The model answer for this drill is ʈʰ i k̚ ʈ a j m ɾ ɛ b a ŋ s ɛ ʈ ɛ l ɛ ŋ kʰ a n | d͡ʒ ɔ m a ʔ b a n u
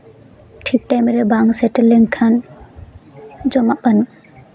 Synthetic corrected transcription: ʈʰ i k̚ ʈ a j m ɾ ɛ b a ŋ s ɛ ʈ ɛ l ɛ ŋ kʰ a n | d͡ʒ ɔ m a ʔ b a n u